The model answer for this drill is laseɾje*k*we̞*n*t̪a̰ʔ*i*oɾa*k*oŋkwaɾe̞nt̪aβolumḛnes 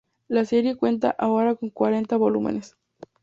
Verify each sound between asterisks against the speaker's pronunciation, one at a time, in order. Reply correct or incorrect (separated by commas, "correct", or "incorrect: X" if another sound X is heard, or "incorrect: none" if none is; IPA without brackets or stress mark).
correct, correct, incorrect: a, correct